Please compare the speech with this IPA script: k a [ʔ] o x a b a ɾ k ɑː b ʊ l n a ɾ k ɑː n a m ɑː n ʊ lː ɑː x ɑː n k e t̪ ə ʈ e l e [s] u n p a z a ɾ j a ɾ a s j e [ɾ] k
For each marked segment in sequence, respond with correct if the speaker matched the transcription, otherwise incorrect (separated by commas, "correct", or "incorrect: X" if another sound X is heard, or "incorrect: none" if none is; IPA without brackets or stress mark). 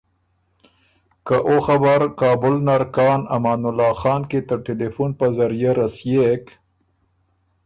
correct, incorrect: f, incorrect: none